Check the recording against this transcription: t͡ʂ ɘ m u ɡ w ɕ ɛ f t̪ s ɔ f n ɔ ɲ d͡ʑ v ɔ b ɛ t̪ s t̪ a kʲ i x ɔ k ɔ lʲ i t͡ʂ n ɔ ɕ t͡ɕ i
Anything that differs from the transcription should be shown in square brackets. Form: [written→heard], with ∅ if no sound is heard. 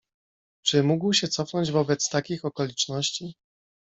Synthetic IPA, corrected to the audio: t͡ʂ ɘ m u ɡ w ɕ ɛ [f→∅] t̪ s ɔ f n ɔ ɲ d͡ʑ v ɔ b ɛ t̪ s t̪ a kʲ i x ɔ k ɔ lʲ i t͡ʂ n ɔ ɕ t͡ɕ i